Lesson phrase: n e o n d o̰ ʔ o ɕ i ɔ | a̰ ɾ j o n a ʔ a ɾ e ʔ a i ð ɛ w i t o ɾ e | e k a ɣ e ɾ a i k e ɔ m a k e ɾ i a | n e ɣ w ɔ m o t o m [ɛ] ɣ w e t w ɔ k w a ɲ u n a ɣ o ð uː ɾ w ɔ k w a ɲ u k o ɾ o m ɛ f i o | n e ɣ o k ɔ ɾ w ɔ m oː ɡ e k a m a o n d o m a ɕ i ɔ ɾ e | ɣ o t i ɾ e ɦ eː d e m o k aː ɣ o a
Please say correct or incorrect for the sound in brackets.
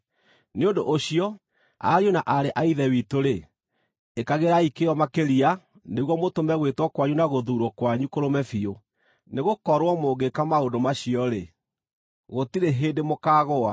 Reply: correct